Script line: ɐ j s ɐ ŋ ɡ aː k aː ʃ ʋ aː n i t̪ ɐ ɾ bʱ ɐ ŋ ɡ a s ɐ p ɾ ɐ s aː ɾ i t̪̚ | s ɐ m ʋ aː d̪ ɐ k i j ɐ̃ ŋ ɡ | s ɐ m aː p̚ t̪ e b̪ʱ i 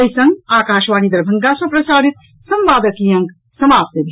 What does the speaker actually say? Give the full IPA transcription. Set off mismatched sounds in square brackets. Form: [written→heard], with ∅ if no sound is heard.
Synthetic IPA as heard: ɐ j s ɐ ŋ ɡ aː k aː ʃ ʋ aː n i [t̪→d̪] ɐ ɾ bʱ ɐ ŋ ɡ a s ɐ p ɾ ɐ s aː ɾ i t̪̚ | s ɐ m ʋ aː d̪ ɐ k i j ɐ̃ ŋ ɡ | s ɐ m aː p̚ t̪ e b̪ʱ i